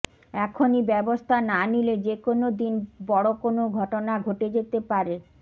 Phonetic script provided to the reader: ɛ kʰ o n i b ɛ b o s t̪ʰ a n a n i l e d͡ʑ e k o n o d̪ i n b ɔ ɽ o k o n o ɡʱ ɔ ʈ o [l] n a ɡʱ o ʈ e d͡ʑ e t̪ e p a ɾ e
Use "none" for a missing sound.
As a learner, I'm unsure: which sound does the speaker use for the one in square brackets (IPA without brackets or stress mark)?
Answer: none